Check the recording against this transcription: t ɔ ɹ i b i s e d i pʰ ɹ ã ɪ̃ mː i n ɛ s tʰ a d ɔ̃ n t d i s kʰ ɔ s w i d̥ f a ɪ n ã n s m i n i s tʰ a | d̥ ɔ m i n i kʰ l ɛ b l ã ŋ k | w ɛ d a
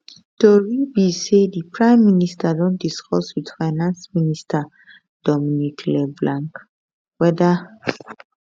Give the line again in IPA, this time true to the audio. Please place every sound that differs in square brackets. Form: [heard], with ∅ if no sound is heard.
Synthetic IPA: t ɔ ɹ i b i s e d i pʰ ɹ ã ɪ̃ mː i n [i] s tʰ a d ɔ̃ n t d i s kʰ ɔ s w i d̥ f a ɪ n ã n s m i n i s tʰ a | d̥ ɔ m i n i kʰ l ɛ b l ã ŋ k | w ɛ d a